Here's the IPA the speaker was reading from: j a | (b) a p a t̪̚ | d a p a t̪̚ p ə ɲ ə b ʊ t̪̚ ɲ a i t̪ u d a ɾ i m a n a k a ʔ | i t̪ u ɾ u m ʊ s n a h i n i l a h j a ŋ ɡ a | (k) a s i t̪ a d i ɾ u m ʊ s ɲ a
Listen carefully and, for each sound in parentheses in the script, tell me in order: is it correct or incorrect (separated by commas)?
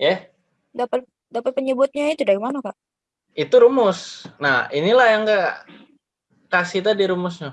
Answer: incorrect, correct